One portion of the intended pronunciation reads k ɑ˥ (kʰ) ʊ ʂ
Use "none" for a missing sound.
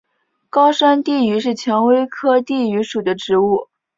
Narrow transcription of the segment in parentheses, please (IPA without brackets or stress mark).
none